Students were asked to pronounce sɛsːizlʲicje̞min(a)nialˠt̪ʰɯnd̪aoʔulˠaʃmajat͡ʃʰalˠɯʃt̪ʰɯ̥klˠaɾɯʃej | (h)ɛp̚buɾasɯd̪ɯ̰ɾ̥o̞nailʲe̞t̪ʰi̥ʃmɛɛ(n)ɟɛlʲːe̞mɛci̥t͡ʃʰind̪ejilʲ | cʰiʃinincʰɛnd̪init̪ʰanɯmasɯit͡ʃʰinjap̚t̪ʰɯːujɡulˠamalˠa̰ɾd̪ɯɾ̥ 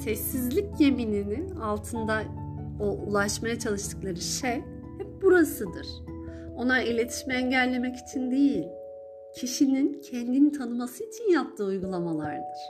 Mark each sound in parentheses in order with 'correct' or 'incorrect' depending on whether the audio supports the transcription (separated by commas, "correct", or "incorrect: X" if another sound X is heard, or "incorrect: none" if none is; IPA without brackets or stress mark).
incorrect: i, correct, incorrect: ɲ